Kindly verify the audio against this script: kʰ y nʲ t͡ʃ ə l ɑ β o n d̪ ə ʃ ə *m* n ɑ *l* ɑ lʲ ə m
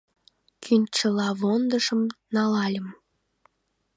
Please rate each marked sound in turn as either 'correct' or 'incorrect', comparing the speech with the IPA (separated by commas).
correct, correct